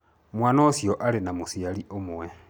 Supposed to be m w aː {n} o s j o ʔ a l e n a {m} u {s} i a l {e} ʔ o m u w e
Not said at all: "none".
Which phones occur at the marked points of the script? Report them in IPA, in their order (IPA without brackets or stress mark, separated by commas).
n, m, s, i